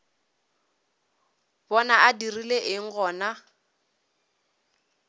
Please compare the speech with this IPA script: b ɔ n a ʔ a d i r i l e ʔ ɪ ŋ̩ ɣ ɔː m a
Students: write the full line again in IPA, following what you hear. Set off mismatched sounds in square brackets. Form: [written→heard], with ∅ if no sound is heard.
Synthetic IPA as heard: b ɔ n a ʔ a d i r i l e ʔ ɪ ŋ̩ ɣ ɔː [m→n] a